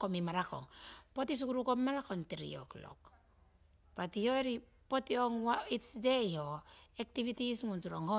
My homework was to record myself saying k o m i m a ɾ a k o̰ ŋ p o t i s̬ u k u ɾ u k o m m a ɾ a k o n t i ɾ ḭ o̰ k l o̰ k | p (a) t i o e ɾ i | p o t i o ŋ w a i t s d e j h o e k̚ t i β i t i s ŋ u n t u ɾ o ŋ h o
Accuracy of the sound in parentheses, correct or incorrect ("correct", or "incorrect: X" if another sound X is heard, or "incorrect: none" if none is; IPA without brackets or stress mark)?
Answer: correct